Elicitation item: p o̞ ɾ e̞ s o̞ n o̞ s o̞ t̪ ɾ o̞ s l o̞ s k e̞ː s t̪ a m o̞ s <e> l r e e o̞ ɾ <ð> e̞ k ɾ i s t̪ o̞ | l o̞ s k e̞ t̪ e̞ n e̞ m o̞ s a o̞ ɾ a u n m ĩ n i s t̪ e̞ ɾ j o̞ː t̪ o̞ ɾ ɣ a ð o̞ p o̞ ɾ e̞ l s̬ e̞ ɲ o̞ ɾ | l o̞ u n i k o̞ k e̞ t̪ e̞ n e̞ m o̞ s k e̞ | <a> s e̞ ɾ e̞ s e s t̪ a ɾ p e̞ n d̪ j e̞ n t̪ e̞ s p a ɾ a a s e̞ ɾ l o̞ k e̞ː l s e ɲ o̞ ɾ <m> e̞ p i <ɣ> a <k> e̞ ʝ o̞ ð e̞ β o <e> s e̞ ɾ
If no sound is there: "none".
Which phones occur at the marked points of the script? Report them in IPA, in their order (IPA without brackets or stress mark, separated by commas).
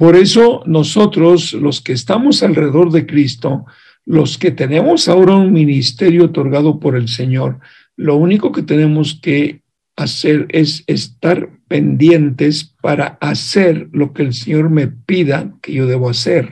a, ð, a, m, ð, k, a